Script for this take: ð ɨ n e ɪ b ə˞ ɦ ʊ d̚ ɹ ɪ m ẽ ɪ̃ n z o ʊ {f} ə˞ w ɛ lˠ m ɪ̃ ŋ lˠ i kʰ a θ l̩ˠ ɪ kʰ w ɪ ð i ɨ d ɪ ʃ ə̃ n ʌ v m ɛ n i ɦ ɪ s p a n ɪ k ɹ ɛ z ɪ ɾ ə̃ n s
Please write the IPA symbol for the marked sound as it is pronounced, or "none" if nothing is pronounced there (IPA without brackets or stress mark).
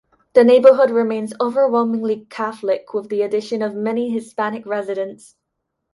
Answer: v